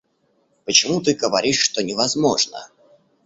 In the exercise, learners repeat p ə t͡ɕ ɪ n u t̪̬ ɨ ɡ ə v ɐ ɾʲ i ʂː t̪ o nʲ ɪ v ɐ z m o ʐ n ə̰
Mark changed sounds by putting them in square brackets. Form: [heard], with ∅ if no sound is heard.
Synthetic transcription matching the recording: p ə t͡ɕ ɪ [m] u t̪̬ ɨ ɡ ə v ɐ ɾʲ i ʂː t̪ o nʲ ɪ v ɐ z m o ʐ n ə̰